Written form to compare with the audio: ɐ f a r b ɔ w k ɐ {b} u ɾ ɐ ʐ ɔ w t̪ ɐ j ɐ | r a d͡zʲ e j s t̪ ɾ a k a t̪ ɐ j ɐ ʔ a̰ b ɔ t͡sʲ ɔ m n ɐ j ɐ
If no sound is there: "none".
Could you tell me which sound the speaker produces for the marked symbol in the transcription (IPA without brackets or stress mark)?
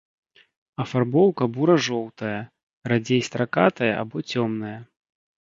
b